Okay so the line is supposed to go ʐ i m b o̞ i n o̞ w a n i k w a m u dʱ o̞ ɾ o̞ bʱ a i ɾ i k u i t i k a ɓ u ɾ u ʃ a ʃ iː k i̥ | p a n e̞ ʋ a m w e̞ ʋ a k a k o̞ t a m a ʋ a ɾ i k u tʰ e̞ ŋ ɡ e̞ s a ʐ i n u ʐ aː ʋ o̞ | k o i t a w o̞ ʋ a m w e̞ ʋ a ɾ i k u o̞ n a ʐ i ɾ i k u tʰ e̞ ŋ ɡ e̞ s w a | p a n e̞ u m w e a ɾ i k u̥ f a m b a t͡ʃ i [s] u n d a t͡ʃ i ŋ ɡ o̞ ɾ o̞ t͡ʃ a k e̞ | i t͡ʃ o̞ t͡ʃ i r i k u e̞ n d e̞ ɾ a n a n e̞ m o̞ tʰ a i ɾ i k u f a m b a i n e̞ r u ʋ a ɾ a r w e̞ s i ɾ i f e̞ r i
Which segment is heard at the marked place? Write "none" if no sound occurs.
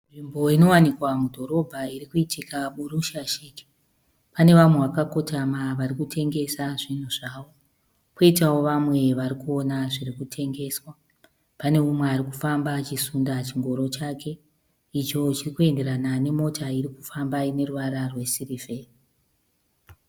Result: s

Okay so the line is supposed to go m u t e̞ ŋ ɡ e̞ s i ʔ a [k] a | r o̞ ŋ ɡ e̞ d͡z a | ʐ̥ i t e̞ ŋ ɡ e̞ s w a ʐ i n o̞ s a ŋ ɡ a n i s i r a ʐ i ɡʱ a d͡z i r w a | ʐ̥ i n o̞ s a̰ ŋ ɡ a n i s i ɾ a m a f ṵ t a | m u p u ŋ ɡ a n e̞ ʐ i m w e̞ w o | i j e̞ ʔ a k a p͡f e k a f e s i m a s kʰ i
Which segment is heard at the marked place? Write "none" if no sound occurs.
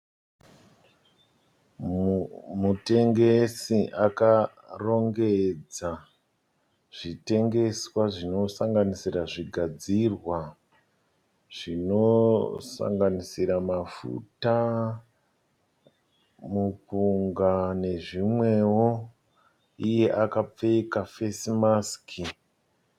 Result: k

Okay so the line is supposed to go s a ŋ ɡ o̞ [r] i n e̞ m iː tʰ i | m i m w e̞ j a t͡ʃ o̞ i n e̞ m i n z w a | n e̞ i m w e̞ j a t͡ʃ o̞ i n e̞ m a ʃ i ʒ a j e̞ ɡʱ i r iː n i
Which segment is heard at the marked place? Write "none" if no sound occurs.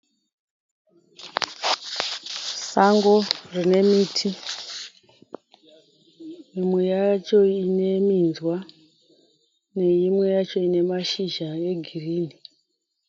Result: r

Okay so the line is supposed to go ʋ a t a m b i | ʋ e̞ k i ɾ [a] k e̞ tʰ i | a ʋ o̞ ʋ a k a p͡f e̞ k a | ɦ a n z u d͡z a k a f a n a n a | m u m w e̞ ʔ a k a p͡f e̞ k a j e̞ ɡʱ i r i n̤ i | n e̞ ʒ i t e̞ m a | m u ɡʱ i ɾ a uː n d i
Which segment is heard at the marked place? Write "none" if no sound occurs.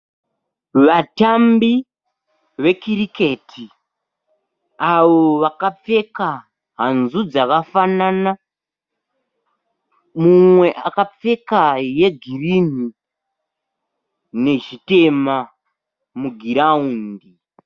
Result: i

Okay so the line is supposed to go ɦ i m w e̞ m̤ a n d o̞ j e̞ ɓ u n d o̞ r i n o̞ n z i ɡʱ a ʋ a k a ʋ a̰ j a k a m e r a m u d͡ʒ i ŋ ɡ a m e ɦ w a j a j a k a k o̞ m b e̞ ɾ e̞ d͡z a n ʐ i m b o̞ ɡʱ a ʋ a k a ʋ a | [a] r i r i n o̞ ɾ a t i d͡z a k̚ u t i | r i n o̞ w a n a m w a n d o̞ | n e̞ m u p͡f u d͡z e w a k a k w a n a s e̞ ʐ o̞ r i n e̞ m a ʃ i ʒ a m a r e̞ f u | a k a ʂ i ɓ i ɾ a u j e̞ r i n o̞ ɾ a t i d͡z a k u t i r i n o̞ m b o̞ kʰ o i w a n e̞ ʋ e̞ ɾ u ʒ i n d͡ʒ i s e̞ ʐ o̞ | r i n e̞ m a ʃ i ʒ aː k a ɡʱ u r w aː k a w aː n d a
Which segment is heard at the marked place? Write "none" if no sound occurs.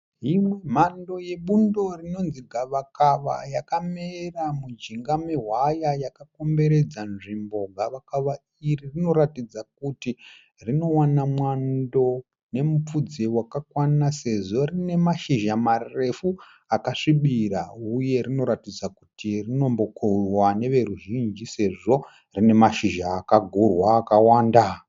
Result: i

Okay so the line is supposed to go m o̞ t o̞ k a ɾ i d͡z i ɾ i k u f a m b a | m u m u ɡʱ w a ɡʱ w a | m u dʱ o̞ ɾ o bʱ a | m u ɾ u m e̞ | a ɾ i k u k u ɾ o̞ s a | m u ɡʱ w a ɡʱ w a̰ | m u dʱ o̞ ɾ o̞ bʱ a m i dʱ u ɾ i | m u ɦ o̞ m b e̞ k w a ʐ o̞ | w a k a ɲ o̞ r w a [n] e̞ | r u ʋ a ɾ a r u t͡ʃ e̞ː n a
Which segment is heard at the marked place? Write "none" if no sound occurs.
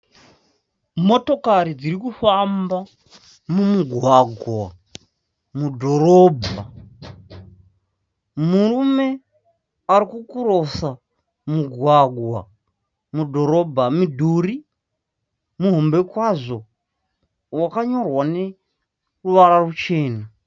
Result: n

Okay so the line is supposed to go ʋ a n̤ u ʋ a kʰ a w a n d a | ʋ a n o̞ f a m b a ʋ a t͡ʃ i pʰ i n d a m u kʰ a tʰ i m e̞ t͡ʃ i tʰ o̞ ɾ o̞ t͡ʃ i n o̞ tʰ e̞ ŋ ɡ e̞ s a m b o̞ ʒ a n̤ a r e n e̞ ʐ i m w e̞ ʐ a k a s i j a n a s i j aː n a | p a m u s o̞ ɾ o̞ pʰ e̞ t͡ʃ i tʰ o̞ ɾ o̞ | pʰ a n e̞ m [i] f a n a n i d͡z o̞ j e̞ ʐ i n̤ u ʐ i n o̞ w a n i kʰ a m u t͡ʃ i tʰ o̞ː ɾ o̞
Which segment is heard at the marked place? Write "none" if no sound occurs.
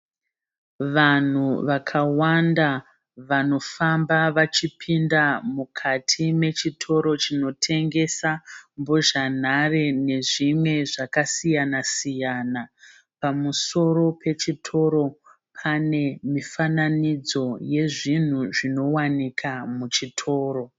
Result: i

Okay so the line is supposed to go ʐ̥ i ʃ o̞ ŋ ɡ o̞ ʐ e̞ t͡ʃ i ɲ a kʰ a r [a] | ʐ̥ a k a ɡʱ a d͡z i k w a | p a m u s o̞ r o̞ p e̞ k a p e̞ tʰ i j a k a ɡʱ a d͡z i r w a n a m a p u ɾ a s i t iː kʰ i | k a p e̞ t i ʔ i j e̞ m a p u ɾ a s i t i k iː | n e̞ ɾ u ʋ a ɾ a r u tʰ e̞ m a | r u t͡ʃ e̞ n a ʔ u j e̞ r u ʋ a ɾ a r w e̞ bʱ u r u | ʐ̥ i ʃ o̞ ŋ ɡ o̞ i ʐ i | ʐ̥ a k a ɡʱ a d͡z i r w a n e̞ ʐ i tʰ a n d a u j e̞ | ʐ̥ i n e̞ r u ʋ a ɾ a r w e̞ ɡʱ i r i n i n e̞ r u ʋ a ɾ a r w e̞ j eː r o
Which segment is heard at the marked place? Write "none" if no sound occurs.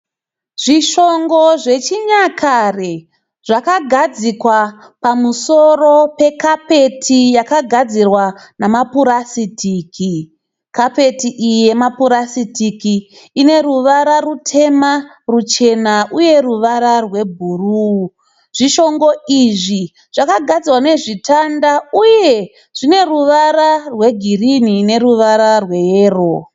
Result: e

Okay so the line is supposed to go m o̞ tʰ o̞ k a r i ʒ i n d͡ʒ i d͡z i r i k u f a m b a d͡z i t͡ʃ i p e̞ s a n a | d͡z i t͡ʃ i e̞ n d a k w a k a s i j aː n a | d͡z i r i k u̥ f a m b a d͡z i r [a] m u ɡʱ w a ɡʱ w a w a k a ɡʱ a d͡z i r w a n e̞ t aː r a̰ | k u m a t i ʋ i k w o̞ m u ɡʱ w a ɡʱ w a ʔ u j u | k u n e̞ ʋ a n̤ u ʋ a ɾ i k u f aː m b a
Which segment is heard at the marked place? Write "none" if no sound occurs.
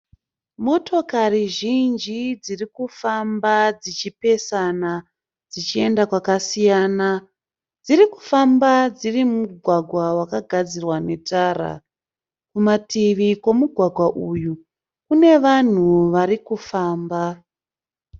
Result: i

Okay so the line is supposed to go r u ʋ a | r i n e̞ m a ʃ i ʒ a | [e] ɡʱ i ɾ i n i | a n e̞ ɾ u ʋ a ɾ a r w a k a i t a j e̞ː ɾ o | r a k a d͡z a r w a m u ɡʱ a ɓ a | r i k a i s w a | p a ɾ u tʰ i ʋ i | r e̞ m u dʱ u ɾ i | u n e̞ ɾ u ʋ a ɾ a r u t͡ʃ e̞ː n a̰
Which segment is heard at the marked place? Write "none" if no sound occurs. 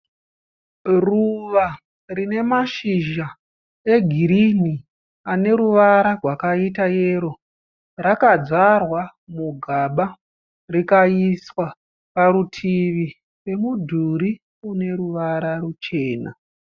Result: e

